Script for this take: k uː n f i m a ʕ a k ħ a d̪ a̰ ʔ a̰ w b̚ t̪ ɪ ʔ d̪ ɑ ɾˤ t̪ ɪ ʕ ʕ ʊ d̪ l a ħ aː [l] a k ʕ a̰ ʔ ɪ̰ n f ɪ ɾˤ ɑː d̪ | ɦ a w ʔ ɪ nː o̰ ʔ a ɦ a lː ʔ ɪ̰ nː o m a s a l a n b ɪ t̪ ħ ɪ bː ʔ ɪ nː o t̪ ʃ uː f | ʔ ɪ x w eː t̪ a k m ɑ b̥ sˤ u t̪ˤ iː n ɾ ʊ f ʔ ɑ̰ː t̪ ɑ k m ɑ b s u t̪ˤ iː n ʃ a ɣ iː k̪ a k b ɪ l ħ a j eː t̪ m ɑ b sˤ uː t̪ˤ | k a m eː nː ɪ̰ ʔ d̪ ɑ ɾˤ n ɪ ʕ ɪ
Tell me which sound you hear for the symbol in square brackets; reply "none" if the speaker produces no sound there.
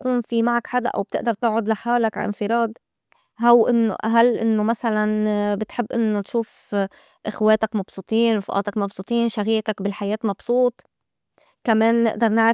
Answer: l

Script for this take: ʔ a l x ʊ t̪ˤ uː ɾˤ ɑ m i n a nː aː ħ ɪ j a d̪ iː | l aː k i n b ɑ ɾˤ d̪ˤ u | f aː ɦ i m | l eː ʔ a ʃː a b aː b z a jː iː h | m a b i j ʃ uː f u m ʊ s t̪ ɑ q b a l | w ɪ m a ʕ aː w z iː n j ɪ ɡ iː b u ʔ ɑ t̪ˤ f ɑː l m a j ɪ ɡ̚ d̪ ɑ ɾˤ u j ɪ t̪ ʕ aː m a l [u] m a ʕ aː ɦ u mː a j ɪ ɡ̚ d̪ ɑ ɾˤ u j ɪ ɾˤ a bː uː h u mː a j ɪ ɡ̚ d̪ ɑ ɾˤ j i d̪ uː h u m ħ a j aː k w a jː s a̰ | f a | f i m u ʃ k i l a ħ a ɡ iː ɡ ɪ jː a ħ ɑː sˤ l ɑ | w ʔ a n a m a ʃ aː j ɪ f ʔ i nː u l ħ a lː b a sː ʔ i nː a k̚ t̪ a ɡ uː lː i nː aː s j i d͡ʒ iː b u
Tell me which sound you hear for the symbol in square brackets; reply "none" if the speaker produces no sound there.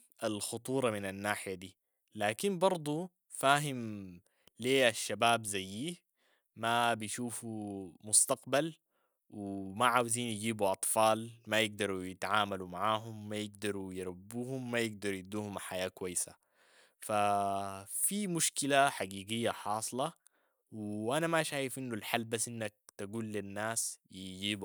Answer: u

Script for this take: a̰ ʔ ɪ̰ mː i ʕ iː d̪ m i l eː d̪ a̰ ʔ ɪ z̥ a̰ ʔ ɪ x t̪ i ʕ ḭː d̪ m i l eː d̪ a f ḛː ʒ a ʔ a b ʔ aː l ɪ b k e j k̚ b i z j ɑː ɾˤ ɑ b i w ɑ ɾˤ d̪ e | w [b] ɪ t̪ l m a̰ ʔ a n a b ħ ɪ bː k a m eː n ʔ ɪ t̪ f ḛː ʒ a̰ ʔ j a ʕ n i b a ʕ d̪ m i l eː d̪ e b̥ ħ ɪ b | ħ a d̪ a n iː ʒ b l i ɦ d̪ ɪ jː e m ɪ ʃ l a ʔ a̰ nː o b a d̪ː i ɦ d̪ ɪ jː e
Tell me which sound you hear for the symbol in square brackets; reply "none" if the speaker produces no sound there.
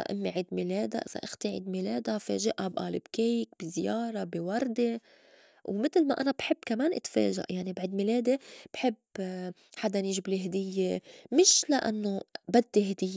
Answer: m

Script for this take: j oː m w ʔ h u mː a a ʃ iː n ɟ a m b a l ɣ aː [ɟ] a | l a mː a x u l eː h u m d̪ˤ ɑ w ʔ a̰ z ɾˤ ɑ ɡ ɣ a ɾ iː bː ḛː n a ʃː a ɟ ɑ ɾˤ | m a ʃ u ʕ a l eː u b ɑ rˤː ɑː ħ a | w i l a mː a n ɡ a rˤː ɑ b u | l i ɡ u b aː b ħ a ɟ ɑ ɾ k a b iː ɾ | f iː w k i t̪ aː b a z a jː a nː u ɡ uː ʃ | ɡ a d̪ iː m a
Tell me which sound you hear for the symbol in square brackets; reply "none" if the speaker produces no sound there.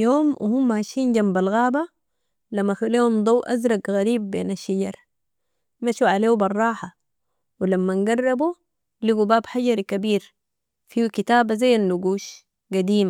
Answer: b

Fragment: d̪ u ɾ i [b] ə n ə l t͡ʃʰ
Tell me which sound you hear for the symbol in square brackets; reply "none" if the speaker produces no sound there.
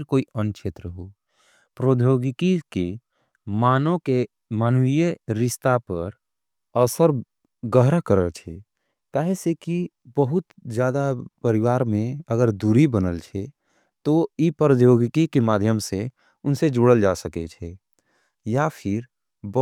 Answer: b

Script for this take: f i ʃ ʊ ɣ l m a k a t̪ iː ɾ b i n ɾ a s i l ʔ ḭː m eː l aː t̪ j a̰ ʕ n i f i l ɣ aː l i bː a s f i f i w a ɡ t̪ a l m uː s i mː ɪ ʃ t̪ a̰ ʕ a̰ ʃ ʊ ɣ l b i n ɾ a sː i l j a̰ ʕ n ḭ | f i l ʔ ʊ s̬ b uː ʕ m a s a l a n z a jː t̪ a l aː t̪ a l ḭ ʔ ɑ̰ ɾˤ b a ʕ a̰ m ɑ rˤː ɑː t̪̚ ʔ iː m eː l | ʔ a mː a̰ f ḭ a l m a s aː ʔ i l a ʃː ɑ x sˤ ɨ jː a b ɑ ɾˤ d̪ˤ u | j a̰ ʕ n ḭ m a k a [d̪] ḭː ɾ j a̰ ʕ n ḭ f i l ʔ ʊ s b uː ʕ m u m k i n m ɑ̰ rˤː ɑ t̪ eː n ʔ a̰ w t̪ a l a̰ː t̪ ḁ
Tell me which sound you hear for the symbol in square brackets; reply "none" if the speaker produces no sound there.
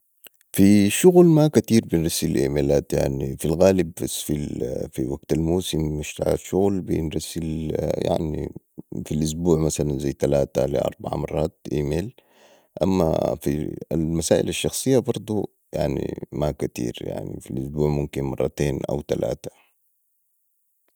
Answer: t̪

